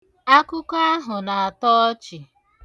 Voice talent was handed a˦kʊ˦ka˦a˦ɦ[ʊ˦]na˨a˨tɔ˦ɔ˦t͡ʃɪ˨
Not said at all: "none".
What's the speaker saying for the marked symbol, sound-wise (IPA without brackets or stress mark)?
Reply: ʊ˨